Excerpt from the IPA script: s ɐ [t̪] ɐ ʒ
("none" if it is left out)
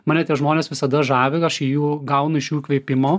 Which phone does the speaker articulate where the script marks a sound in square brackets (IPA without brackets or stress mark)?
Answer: d̪